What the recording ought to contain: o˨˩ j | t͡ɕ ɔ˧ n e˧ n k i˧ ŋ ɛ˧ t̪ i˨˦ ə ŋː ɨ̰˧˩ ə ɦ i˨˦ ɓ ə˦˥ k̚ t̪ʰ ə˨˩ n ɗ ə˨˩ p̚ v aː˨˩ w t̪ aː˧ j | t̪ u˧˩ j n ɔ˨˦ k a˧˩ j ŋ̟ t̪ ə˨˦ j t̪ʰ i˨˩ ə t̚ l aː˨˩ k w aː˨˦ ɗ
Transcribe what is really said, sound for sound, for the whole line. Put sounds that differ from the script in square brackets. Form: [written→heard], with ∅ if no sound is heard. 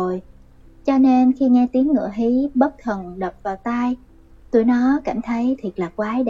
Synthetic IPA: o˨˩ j | t͡ɕ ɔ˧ n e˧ n [k→x] i˧ ŋ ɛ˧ t̪ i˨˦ ə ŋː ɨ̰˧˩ ə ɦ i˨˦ ɓ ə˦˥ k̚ t̪ʰ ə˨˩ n ɗ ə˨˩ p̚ v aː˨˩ w t̪ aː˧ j | t̪ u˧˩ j n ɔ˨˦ k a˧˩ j ŋ̟ [t̪→t̪ʰ] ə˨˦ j t̪ʰ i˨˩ ə t̚ l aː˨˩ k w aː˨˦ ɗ